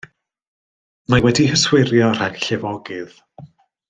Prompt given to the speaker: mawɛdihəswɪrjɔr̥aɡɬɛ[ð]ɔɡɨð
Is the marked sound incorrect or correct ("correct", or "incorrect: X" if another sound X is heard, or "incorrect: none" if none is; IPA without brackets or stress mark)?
incorrect: v